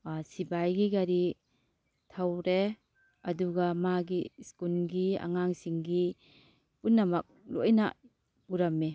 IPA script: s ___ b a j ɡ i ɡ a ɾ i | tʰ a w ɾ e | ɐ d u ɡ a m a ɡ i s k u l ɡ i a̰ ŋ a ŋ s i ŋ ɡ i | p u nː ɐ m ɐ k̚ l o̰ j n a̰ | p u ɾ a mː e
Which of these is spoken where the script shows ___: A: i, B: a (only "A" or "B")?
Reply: A